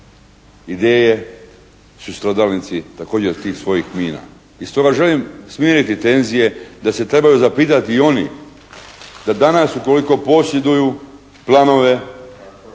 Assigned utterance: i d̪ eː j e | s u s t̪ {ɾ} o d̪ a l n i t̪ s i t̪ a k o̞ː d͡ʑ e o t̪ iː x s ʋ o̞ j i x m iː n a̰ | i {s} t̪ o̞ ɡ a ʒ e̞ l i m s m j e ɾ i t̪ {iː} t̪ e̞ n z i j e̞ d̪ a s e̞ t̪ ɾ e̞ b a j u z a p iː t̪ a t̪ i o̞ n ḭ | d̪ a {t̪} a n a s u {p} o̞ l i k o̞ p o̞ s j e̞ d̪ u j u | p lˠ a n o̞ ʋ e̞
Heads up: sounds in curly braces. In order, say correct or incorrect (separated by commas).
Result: correct, correct, incorrect, incorrect, incorrect